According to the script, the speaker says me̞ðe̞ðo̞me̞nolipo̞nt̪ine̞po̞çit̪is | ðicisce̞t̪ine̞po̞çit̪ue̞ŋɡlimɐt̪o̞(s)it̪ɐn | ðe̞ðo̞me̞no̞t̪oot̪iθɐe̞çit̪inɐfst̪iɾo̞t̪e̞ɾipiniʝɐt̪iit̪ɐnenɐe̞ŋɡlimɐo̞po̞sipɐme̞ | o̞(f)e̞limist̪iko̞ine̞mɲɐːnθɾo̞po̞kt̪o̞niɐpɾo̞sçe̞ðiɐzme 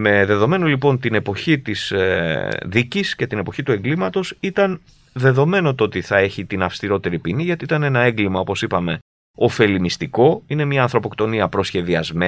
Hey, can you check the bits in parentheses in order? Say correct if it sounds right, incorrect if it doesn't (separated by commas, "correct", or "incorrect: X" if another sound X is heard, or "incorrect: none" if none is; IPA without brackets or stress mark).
correct, correct